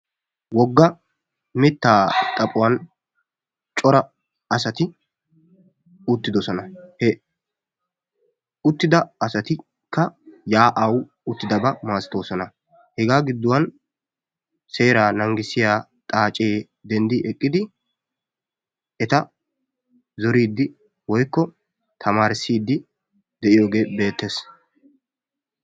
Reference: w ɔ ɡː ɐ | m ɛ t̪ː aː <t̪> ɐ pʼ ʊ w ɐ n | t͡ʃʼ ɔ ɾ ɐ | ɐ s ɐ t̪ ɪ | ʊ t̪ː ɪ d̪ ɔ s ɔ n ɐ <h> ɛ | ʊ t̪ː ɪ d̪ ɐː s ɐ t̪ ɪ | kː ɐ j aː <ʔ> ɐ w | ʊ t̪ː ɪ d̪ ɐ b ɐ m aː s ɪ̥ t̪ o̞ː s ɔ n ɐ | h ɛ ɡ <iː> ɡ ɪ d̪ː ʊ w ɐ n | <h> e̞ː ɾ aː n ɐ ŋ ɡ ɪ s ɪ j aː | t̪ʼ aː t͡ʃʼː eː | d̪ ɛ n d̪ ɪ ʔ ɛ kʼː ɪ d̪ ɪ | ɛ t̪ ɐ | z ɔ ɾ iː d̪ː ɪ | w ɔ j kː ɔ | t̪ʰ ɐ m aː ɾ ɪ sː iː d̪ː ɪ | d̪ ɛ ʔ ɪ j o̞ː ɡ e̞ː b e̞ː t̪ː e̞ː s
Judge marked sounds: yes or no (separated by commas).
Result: no, yes, yes, no, no